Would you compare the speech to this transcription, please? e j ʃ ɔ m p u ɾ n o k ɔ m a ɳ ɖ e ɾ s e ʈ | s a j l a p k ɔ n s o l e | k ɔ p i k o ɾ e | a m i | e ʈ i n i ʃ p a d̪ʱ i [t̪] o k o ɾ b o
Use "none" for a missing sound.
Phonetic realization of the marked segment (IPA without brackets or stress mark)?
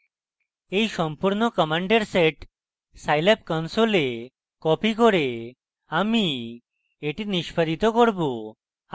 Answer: t̪